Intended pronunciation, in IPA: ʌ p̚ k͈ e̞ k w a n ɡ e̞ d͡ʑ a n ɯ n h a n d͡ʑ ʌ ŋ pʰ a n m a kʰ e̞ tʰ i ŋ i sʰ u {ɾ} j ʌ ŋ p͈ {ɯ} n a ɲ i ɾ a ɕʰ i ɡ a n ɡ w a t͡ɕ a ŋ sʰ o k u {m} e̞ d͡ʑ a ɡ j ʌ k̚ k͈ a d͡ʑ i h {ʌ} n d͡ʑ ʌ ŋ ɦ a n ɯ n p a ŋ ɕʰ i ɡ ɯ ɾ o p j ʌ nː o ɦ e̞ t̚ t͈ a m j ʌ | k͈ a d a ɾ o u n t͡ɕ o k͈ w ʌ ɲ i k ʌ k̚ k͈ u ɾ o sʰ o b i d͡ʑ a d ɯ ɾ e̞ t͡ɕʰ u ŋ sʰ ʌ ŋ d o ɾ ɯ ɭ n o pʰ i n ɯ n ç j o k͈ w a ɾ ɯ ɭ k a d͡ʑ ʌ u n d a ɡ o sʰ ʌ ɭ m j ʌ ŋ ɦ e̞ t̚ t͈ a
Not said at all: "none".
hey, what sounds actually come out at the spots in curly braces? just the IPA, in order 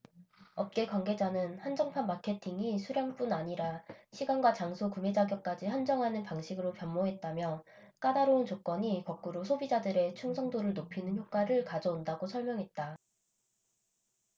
ɾ, u, m, a

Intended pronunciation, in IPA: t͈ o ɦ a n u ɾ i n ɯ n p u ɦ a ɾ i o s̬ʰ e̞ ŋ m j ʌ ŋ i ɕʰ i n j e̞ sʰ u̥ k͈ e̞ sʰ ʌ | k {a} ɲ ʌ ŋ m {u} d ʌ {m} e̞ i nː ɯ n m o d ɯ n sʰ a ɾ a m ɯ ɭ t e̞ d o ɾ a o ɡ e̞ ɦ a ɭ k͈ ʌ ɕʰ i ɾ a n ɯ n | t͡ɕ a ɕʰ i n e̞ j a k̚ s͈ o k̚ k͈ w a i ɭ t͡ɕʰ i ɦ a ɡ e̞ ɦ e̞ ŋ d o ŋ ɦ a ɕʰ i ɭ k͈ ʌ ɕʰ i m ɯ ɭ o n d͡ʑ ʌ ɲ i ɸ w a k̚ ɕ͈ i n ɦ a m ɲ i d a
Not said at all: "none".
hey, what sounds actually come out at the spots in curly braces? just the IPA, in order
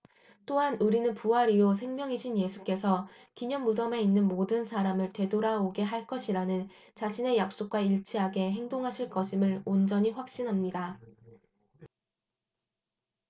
i, u, m

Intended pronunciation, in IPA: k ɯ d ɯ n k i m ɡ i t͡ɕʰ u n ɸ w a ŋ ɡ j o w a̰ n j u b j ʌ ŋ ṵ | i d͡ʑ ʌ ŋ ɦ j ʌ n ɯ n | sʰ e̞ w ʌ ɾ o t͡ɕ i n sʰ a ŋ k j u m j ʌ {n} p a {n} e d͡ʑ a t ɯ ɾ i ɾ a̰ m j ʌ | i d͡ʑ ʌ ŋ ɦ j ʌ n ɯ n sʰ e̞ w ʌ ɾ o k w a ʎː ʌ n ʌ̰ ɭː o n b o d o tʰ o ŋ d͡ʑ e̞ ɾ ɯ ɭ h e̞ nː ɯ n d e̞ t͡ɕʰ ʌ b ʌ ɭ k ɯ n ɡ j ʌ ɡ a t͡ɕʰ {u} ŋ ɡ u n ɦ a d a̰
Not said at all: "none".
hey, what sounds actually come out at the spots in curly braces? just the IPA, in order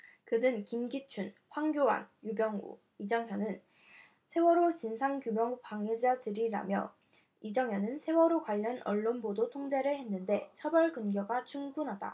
ŋ, ŋ, u

